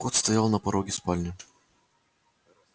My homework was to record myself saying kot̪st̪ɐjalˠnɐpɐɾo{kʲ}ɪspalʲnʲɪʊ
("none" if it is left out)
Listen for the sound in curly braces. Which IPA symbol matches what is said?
ɡʲ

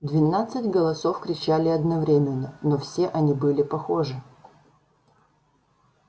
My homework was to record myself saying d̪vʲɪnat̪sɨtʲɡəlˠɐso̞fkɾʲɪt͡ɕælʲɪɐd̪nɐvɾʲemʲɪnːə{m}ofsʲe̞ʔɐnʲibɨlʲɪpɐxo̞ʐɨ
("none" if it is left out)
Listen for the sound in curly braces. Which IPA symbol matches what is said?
n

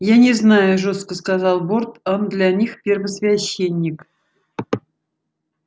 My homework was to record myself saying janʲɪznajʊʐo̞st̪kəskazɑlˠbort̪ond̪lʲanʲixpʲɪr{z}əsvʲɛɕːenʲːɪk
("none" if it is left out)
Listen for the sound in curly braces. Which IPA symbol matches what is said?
v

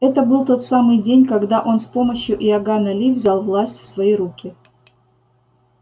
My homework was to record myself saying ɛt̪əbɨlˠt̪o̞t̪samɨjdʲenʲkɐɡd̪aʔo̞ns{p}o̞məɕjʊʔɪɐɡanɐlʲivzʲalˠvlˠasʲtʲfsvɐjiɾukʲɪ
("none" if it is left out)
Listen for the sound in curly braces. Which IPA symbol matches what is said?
p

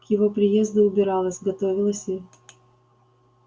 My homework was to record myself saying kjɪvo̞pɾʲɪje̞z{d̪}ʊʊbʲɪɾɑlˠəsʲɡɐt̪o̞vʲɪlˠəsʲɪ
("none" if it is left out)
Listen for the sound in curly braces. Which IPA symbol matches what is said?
d̪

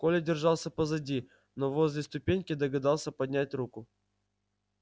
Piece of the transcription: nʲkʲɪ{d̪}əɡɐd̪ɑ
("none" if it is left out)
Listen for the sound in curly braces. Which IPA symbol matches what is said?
d̪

